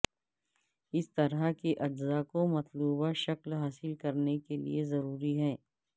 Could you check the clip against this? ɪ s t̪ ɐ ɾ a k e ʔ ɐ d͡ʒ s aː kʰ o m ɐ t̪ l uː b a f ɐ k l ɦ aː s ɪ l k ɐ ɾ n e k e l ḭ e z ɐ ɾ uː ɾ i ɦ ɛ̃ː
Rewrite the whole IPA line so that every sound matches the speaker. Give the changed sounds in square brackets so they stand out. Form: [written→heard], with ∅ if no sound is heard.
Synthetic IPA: ɪ s t̪ ɐ ɾ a k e ʔ ɐ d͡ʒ [s→z] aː [kʰ→k] o m ɐ t̪ l uː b a [f→ʃ] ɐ k l ɦ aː s ɪ l k ɐ ɾ n e k e l ḭ e z ɐ ɾ uː ɾ i ɦ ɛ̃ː